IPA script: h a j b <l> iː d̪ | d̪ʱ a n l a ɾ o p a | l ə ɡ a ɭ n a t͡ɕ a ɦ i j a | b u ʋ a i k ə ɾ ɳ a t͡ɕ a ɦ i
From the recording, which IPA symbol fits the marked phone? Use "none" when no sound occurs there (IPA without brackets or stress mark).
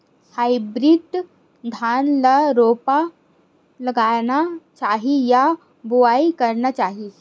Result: ɾ